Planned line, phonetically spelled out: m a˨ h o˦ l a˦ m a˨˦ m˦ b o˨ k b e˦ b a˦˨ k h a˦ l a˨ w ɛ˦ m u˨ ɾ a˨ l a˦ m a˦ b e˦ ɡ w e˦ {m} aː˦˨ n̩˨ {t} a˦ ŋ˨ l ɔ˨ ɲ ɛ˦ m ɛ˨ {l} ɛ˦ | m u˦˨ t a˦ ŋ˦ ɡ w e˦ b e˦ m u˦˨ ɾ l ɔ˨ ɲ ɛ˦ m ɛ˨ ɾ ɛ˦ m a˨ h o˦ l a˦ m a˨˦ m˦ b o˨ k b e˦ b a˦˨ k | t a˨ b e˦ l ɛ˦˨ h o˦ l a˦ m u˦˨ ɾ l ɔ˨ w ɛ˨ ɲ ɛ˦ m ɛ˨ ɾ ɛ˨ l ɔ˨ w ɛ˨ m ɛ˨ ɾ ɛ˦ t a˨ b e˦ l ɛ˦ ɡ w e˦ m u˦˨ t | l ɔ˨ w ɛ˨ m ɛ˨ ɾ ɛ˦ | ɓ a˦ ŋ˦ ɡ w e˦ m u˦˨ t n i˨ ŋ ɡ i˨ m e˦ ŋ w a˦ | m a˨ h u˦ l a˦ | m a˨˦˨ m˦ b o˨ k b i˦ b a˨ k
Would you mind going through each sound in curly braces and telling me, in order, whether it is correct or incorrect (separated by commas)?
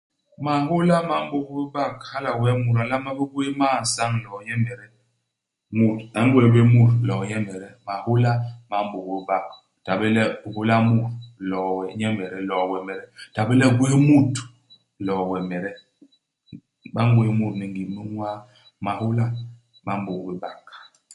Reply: correct, incorrect, incorrect